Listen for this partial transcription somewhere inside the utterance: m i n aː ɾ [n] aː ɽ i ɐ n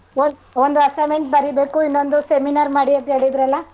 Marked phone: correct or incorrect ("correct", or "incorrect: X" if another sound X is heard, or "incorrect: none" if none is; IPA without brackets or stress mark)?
incorrect: m